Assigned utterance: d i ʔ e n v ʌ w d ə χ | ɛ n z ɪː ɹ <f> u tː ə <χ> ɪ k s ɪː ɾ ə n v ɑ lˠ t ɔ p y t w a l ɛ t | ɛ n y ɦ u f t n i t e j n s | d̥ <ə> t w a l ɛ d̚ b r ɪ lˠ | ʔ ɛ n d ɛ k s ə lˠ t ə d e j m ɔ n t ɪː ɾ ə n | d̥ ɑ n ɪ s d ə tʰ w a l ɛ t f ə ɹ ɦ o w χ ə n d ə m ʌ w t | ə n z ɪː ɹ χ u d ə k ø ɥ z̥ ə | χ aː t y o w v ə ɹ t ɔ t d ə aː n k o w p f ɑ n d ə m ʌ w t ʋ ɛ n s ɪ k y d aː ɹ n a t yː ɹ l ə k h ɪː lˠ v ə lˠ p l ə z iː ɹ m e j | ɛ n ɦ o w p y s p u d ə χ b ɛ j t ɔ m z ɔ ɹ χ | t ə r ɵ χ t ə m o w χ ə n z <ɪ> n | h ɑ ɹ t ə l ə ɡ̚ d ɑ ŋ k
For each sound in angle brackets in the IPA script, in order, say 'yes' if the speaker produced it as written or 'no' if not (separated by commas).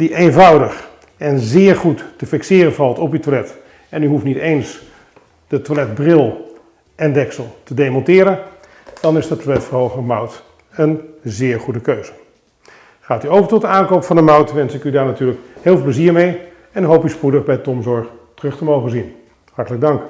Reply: no, no, yes, no